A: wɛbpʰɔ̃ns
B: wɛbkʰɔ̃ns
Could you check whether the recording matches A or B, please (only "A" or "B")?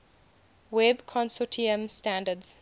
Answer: B